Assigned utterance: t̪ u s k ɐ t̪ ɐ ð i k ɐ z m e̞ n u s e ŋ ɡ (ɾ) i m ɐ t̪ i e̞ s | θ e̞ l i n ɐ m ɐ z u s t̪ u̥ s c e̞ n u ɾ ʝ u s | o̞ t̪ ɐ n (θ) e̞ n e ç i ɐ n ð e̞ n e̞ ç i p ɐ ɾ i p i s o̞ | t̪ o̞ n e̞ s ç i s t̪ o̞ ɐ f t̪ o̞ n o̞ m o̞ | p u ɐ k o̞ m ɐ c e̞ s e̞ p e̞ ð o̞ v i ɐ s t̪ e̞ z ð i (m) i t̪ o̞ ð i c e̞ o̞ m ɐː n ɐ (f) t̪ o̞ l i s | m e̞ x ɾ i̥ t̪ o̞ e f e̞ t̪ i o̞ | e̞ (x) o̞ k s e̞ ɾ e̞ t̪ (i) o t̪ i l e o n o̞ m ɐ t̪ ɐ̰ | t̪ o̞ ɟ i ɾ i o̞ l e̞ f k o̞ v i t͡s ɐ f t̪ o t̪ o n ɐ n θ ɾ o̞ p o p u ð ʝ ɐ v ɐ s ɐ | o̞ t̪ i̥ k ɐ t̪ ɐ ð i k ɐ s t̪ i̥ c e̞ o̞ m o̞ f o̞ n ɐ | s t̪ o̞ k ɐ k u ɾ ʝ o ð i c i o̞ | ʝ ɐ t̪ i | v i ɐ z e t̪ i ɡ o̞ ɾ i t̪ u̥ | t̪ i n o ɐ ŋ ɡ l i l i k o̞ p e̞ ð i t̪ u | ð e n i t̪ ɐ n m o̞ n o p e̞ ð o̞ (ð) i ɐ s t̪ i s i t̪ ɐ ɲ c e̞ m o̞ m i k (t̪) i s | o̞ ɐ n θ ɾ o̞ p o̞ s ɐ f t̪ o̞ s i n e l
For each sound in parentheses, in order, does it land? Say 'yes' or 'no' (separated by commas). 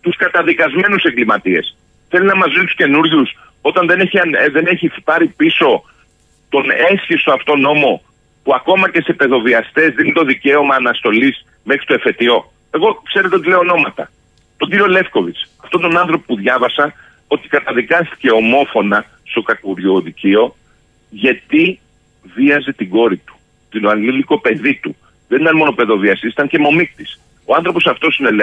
no, no, no, no, no, no, no, yes